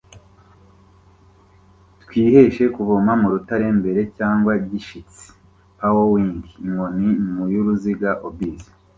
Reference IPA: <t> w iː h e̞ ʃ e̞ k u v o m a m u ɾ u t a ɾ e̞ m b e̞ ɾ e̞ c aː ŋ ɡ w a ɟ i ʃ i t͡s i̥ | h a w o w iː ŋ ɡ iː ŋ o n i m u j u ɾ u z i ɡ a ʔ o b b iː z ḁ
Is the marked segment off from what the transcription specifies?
no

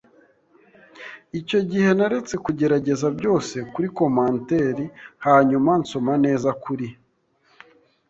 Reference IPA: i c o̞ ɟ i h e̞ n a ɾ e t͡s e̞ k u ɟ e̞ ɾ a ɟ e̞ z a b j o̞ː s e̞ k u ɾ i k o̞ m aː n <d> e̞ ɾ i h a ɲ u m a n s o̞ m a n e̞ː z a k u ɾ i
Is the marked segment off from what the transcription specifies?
yes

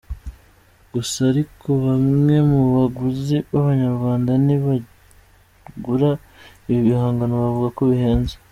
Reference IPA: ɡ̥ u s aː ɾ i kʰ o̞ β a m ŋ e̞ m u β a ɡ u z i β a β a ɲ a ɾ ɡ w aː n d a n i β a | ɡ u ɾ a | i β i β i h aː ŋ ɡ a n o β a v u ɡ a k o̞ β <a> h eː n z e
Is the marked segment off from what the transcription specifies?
yes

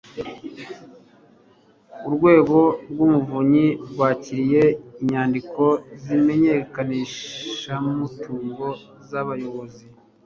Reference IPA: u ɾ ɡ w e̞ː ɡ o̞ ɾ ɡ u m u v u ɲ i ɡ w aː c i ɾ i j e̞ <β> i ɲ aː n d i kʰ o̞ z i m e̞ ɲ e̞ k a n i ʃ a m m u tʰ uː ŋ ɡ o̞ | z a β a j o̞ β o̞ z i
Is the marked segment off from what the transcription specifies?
yes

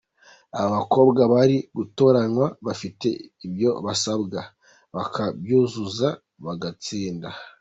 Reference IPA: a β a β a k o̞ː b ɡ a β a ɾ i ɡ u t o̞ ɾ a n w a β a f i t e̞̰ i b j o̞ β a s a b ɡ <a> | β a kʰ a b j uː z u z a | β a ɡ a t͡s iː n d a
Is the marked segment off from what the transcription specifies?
no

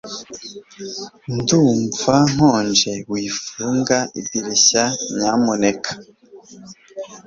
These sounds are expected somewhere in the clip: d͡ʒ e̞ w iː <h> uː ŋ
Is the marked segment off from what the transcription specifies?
yes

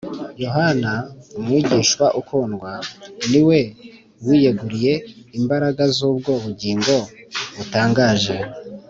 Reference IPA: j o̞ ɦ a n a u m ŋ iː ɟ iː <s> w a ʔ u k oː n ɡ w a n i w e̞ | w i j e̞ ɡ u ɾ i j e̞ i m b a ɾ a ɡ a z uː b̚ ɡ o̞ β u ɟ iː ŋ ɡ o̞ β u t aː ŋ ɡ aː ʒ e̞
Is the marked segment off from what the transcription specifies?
yes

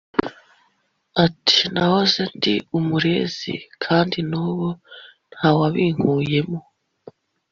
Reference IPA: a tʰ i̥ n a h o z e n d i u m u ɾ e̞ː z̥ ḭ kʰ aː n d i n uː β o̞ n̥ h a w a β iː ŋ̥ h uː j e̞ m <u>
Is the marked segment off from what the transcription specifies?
yes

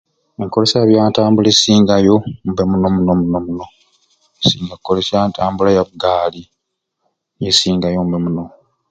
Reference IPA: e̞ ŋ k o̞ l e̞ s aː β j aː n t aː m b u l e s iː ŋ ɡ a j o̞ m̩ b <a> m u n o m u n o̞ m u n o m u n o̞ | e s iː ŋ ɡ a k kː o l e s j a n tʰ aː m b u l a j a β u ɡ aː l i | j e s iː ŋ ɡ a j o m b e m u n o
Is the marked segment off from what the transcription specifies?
yes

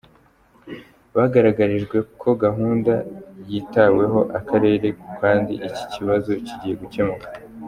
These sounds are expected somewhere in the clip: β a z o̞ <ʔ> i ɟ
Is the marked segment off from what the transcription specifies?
yes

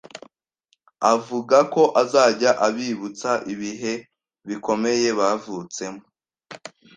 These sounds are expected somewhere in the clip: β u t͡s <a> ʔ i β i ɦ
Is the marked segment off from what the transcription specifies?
no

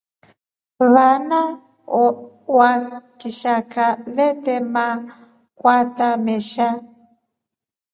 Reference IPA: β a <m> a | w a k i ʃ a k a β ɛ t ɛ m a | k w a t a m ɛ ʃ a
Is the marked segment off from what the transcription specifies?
yes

